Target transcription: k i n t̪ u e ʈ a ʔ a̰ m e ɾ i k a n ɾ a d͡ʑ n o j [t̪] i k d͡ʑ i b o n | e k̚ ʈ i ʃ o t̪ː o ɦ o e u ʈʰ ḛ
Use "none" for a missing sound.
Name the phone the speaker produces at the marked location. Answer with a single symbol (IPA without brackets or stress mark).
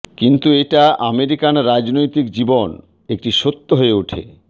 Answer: t̪